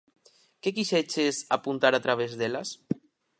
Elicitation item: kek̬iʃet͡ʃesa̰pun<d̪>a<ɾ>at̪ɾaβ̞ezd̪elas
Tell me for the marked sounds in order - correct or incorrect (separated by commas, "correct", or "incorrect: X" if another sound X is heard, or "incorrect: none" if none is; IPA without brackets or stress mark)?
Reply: incorrect: t̪, correct